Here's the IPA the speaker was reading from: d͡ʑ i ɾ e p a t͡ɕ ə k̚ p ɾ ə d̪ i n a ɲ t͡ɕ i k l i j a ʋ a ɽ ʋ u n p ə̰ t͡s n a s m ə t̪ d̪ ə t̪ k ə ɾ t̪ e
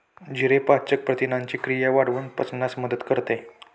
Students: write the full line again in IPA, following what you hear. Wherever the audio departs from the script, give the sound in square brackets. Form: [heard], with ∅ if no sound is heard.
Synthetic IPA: d͡ʑ i ɾ e p a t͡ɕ ə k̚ p ɾ ə [t̪] i n a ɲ t͡ɕ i k [ɾ] i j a ʋ a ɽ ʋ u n p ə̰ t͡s n a s m ə [∅] d̪ ə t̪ k ə ɾ t̪ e